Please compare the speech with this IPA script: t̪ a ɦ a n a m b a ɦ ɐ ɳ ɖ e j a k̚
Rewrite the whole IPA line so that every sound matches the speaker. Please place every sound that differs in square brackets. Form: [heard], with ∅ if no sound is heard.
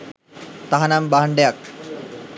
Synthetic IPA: t̪ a ɦ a n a m b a ɦ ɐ ɳ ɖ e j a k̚